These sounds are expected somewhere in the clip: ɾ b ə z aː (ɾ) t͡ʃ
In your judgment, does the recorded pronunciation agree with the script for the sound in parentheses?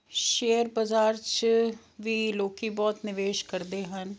yes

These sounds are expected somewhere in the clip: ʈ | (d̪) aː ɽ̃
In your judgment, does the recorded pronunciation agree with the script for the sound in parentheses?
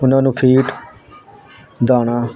yes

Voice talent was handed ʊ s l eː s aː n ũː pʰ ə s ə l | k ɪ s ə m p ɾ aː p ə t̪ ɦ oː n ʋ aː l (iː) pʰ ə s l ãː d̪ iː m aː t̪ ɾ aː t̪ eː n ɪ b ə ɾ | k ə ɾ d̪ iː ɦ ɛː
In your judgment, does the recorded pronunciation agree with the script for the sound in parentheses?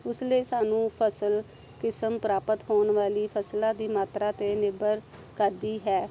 yes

